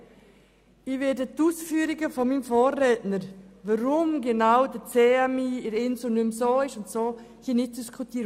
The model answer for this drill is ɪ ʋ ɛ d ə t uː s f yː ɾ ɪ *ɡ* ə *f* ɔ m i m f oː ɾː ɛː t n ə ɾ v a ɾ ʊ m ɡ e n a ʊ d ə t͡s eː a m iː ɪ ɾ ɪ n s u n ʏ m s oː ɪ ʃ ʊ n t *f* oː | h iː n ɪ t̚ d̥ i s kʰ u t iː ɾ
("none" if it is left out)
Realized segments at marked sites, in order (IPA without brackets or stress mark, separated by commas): ɡ, f, s